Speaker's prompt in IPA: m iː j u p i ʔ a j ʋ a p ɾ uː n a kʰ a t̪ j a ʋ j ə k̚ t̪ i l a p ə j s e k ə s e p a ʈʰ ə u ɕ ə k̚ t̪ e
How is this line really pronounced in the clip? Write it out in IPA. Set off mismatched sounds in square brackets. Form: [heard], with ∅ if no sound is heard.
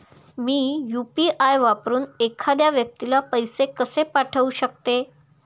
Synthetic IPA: m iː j u p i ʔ a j ʋ a p ɾ uː n [e] kʰ a [d̪] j a ʋ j ə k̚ t̪ i l a p ə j s e k ə s e p a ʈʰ ə u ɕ ə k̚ t̪ e